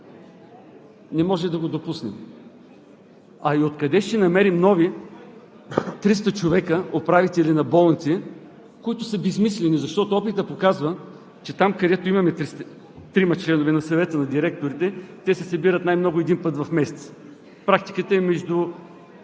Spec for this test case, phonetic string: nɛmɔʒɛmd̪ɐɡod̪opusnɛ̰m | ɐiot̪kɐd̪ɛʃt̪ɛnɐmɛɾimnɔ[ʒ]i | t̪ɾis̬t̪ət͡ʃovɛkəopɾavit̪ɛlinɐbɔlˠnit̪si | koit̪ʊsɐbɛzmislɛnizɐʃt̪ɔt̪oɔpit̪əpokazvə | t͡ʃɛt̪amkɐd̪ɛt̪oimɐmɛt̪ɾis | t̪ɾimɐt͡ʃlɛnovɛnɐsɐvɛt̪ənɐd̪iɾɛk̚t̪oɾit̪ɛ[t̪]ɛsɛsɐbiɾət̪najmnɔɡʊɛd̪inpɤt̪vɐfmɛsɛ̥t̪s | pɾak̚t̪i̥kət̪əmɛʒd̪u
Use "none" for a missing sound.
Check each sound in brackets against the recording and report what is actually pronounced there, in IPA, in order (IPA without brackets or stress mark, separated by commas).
v, t̪